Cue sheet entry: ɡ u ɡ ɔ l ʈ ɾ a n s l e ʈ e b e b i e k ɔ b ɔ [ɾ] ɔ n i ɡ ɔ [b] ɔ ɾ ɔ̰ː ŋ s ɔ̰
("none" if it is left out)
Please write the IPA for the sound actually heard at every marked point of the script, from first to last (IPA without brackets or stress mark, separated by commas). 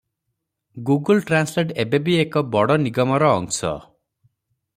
ɽ, m